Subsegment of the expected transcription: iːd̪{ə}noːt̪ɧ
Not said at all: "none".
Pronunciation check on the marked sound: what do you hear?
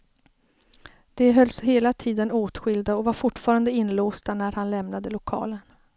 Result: ə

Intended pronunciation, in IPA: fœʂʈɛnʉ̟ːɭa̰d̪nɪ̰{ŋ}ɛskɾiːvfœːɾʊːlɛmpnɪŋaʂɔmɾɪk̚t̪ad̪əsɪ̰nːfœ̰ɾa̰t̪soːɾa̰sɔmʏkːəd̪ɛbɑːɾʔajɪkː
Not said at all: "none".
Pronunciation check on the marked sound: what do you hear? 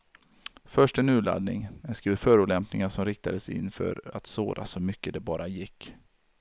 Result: ŋ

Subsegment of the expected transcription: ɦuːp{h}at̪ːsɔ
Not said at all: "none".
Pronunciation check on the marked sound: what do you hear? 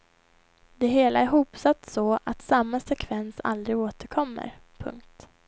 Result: s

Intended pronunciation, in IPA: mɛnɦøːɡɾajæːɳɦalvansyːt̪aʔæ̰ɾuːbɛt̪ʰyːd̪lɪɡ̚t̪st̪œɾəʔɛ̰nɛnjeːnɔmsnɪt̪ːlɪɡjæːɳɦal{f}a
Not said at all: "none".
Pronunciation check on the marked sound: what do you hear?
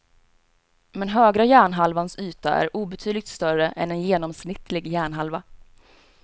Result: v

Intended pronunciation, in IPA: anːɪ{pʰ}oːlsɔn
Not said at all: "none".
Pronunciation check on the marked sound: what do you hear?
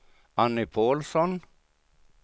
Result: pʰ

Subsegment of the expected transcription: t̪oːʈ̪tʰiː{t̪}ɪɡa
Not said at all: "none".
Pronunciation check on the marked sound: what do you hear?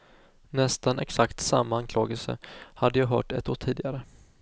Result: d̪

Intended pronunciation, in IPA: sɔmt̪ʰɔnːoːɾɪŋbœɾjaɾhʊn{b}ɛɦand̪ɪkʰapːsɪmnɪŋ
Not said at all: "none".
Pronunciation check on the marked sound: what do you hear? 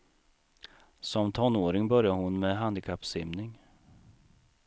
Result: m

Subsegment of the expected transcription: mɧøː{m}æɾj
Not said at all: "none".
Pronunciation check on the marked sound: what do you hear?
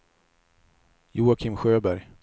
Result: b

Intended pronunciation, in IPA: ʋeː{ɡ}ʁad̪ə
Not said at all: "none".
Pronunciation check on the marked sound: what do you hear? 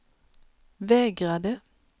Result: ɡ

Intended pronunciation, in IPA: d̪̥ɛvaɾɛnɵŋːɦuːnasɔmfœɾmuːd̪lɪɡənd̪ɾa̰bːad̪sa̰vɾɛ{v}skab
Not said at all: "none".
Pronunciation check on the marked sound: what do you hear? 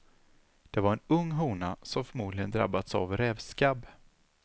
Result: v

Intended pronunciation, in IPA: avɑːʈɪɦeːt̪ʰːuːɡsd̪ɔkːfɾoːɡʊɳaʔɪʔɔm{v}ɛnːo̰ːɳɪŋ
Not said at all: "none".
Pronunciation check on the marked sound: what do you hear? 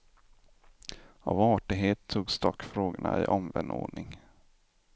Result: v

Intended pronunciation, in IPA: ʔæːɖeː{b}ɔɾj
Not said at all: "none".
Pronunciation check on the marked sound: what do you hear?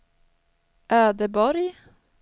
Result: b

